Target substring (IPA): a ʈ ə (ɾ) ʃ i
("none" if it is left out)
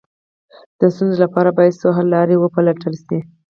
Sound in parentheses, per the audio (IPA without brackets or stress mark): l